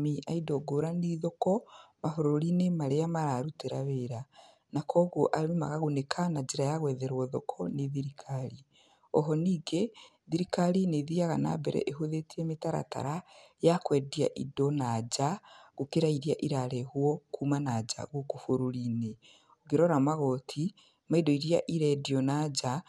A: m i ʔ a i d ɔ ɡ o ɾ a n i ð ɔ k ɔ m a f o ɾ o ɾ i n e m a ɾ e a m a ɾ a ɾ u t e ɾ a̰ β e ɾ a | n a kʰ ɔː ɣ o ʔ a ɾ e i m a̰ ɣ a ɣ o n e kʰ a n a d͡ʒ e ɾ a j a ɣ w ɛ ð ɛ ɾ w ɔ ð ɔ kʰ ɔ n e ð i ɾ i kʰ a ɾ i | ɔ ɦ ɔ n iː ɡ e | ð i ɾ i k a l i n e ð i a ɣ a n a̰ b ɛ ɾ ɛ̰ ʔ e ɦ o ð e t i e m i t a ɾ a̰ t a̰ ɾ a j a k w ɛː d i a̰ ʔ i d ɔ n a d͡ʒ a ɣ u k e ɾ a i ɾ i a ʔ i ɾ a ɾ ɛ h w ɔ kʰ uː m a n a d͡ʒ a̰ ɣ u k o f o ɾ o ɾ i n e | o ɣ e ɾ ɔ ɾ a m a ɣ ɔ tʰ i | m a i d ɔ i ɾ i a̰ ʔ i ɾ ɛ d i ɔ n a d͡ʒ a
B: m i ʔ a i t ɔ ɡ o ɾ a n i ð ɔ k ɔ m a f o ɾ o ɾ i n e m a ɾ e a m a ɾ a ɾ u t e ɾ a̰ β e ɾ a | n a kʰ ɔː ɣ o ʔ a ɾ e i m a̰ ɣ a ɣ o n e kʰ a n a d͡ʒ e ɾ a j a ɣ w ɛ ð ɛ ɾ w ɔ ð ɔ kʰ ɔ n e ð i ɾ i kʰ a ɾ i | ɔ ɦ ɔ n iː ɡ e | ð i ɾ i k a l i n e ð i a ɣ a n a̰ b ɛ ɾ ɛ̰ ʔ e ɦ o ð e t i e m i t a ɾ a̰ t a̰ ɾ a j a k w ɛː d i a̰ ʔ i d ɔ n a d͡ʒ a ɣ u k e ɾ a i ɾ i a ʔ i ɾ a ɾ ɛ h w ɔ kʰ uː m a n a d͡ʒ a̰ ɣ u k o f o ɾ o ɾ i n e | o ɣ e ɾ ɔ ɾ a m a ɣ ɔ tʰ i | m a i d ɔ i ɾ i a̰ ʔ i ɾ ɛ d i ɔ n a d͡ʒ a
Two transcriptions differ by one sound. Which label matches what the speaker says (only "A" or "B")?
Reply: A